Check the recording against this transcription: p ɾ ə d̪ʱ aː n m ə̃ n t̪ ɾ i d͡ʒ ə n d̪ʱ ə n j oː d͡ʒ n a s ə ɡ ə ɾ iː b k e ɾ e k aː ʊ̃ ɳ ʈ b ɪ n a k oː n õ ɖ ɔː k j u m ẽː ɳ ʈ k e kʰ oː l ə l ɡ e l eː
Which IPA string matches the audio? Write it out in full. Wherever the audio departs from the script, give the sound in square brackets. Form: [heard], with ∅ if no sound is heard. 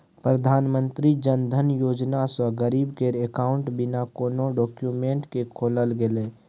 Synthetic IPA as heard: p ɾ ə d̪ʱ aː n m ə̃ n t̪ ɾ i d͡ʒ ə n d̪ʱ ə n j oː d͡ʒ n a s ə ɡ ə ɾ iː b k e ɾ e k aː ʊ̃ ɳ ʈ b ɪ n a k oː n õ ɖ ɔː k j u m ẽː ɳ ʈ k e kʰ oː l ə l ɡ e l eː